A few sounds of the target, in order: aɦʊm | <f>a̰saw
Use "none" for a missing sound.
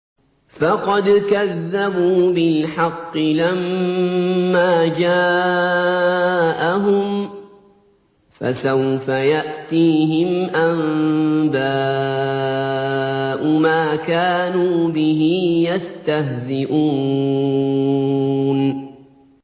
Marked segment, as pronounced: f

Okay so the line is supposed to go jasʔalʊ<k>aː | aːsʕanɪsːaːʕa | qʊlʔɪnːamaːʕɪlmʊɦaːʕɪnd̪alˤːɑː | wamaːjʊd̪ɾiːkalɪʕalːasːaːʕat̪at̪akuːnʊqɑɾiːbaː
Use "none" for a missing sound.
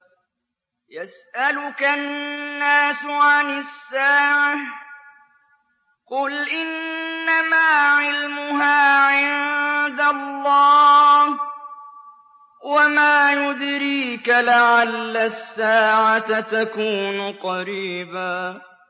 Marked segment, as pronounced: k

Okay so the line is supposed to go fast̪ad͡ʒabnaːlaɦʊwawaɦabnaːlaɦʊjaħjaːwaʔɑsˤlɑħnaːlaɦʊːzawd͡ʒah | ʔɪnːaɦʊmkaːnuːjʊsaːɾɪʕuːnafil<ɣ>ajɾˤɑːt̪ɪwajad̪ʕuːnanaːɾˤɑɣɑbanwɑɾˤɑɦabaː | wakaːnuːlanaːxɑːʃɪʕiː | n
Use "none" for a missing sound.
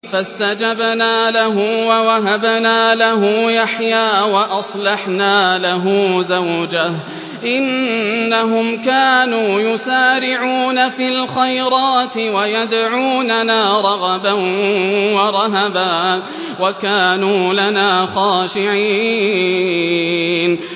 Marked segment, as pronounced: x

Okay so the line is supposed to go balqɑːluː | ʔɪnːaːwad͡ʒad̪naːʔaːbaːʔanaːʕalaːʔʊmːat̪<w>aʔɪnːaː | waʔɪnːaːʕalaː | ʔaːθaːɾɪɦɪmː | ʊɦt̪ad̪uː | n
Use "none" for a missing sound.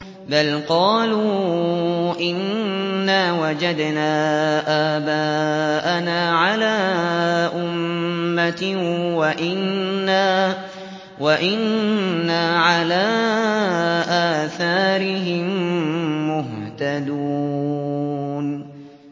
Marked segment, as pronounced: w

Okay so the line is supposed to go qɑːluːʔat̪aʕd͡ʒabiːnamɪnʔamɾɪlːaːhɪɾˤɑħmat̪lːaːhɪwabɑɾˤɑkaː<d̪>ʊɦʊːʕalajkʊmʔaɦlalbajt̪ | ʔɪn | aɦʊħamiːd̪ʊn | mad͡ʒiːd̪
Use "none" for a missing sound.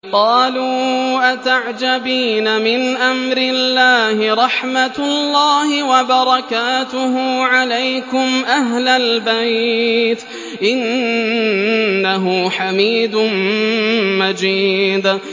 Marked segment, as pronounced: t̪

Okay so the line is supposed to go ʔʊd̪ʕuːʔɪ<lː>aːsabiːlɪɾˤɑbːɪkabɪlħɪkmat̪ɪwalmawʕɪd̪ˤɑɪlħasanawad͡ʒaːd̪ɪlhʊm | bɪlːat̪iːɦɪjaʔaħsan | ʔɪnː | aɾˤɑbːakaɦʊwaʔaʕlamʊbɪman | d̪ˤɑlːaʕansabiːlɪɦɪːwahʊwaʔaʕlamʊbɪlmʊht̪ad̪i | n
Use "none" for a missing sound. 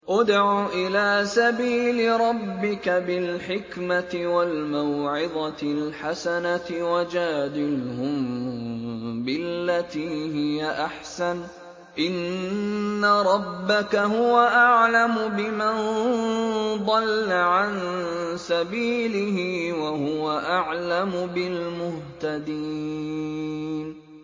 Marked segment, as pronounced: l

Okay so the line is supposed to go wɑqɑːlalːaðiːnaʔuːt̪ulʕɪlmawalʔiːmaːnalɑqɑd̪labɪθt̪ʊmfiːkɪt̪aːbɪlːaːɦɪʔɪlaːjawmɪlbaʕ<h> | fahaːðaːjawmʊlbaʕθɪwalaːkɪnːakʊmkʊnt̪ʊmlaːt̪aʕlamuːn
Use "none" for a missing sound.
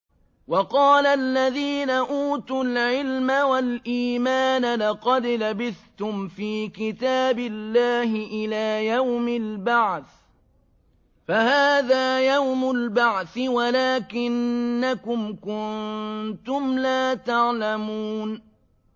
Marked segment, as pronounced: θ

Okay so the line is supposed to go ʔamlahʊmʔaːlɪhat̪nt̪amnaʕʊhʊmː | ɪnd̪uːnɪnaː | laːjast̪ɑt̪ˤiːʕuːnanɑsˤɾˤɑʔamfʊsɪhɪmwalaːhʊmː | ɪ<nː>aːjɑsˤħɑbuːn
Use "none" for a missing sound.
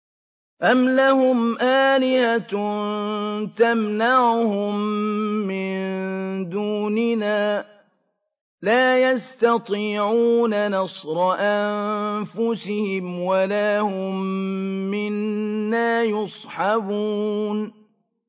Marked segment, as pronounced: nː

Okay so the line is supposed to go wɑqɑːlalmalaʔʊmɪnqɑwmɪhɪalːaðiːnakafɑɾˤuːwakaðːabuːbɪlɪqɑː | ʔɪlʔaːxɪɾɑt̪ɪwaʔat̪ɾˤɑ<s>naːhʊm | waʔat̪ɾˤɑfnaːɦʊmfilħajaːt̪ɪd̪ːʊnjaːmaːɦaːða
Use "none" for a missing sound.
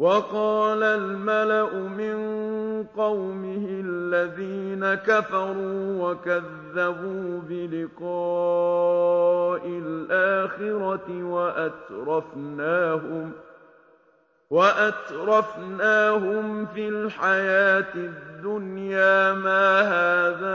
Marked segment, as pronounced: f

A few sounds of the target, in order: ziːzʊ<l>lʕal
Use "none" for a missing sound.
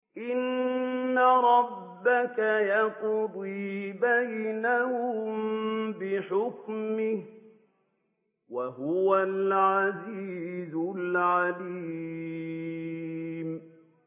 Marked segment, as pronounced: l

